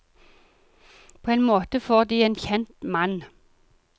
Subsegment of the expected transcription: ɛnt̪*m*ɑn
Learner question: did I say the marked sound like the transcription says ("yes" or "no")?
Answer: yes